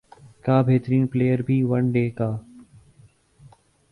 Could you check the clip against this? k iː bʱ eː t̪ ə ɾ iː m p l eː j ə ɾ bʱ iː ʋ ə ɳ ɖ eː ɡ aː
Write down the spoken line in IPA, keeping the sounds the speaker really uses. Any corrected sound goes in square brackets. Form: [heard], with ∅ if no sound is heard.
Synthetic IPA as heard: k [aː] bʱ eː t̪ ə ɾ iː [n] p l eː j ə ɾ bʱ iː ʋ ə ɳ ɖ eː [k] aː